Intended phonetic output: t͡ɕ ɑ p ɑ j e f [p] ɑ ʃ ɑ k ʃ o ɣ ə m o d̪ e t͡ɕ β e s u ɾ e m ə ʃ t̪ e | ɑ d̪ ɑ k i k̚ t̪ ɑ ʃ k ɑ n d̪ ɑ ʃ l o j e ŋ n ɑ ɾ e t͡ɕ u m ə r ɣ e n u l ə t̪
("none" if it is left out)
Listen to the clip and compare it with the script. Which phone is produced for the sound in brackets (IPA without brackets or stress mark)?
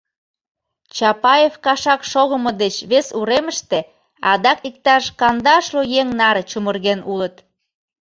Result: k